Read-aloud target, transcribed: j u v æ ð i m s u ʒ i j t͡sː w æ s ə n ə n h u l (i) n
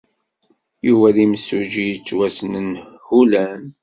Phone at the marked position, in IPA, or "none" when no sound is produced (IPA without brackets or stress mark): æ